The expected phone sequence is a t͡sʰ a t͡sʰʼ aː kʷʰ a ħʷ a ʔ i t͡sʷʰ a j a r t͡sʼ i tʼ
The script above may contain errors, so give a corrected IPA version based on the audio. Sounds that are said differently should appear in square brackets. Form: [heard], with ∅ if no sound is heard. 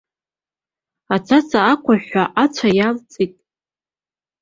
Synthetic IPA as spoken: a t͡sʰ a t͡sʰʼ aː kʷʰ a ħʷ a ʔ [a] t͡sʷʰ a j a [l] t͡sʼ i tʼ